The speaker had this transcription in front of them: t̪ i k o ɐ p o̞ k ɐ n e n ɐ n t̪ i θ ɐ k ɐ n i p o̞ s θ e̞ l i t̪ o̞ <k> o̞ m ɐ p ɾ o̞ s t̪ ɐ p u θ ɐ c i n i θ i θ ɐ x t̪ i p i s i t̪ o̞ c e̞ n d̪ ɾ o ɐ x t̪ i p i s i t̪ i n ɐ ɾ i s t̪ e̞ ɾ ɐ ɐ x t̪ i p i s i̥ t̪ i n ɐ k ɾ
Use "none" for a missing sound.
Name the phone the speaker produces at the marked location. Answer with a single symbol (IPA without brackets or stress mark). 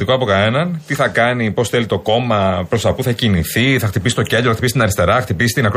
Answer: k